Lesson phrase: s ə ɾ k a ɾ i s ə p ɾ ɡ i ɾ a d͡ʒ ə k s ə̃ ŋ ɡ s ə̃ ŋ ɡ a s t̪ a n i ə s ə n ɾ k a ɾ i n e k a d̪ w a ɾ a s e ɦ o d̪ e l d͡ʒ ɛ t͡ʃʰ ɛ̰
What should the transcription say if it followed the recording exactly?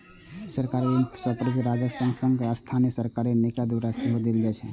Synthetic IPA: s ə ɾ k a ɾ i s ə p ɾ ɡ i ɾ a d͡ʒ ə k s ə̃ ŋ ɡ s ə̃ ŋ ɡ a s t̪ʰ a n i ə s ə ɾ k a ɾ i n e k a d̪ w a ɾ a s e ɦ o d̪ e l d͡ʒ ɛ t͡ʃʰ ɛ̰